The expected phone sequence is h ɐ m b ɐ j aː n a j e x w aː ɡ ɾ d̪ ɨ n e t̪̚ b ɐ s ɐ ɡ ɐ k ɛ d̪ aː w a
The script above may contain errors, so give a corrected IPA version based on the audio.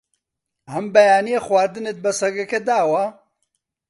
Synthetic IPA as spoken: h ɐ m b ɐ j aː n i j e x w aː ɾ d̪ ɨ n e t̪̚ b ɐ s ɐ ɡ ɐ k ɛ d̪ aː w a